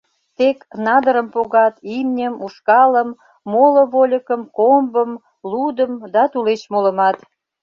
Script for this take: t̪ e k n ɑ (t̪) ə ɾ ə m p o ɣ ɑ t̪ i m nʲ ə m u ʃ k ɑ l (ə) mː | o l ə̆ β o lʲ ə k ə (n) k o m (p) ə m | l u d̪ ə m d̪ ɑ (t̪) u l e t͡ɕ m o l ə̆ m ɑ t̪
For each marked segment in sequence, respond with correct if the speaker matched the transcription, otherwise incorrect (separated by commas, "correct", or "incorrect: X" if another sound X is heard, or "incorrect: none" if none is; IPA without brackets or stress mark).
incorrect: d̪, correct, incorrect: m, incorrect: b, correct